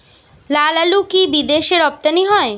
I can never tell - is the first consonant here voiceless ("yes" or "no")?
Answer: no